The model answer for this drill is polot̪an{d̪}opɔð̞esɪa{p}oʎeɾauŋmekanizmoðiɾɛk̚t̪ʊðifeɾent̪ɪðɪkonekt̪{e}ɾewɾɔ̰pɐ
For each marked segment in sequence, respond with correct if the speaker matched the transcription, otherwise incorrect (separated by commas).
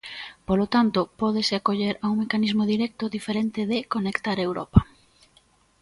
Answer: incorrect, incorrect, incorrect